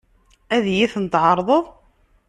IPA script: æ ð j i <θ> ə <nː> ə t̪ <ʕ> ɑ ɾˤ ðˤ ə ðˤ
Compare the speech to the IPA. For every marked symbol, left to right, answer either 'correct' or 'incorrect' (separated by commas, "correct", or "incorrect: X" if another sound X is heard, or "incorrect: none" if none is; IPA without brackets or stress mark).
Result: correct, incorrect: n, correct